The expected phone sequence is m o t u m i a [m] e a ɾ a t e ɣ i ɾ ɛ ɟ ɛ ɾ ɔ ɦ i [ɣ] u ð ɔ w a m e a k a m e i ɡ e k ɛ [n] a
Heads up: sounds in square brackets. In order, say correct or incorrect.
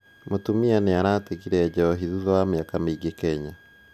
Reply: incorrect, incorrect, incorrect

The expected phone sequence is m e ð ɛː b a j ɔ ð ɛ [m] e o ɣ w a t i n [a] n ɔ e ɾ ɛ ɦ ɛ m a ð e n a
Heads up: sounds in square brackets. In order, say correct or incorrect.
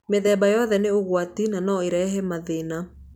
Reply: incorrect, correct

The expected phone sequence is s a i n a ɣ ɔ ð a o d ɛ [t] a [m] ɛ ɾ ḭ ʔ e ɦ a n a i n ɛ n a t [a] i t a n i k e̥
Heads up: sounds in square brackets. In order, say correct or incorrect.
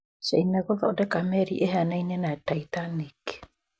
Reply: incorrect, correct, correct

